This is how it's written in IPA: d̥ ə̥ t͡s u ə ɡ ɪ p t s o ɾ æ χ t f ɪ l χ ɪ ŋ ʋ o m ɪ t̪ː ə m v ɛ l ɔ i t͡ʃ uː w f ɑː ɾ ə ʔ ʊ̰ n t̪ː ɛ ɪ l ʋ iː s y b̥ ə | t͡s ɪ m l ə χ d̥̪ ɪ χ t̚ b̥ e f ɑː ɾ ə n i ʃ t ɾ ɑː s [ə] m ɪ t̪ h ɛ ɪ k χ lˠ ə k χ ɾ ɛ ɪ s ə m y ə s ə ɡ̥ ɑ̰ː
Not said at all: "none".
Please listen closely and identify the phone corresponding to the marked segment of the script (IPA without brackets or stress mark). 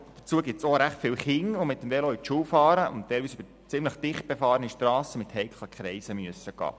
ə